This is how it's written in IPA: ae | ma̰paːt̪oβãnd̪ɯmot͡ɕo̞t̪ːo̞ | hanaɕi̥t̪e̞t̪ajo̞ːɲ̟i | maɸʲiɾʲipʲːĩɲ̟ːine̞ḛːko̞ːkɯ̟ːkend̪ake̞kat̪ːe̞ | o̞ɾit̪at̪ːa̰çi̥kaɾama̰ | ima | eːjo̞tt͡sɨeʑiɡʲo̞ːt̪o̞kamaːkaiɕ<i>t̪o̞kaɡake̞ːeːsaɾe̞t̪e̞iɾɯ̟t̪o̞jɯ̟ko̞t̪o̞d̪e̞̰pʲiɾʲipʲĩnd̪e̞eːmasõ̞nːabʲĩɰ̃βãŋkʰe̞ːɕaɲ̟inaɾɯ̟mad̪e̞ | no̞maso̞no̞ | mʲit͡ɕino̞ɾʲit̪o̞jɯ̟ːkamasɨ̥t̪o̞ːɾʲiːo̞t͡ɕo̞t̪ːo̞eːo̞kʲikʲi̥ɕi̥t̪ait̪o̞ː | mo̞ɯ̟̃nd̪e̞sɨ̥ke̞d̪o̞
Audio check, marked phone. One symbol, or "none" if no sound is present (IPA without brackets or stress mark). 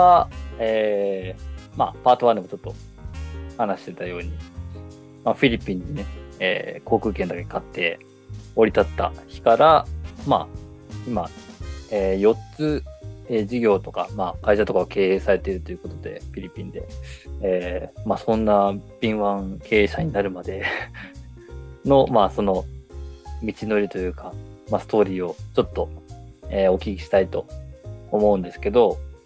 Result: a